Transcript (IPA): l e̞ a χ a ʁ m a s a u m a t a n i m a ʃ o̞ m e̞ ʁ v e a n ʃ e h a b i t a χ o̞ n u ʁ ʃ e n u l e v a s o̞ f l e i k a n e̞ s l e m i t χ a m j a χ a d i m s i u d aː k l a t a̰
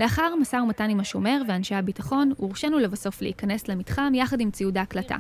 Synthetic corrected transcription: l e̞ a χ a ʁ m a s a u m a t a n i m a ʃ o̞ m e̞ ʁ v e a n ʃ e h a b i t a χ o̞ n u ʁ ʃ e n u l e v a s o̞ f l e i k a n e̞ s l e m i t χ a m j a χ a d i m t͡s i u d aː k l a t a̰